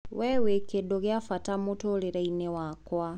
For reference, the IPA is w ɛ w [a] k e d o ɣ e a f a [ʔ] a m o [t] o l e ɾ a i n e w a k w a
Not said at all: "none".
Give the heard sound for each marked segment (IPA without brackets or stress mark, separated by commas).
e, t, t